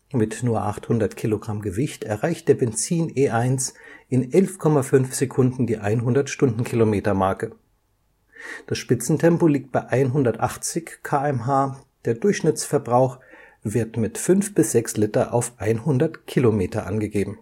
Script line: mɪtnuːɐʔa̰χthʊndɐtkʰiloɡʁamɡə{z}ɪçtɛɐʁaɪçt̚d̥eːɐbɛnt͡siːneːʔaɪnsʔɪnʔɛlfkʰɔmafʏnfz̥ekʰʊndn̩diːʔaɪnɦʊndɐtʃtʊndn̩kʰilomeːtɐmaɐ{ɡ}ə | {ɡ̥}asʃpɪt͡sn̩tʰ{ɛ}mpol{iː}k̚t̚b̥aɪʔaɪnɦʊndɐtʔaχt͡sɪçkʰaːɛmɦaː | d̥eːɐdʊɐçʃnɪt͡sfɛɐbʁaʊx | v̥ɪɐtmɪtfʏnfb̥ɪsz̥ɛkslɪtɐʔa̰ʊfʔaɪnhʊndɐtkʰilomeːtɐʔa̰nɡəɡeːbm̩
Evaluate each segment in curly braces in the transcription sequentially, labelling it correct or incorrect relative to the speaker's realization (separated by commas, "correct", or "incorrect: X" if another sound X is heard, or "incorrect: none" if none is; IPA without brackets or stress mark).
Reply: incorrect: v, incorrect: k, incorrect: d̥, correct, correct